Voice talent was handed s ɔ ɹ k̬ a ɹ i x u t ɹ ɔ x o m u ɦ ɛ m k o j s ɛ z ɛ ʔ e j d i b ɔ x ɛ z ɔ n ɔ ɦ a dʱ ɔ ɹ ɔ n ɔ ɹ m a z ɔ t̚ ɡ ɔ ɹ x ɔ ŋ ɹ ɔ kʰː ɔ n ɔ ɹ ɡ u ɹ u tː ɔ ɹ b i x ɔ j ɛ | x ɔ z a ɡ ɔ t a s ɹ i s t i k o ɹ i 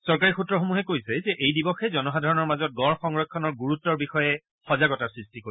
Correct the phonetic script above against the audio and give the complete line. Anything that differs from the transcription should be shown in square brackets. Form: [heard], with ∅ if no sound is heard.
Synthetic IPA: s ɔ ɹ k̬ a ɹ i x u t ɹ ɔ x o m u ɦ ɛ [∅] k o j s ɛ z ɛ ʔ e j d i b ɔ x ɛ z ɔ n ɔ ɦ a dʱ ɔ ɹ ɔ n ɔ ɹ m a z ɔ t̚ ɡ ɔ ɹ x ɔ ŋ ɹ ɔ kʰː ɔ n ɔ ɹ ɡ u ɹ u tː ɔ ɹ b i x ɔ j ɛ | x ɔ z a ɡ ɔ t a s ɹ i s t i k o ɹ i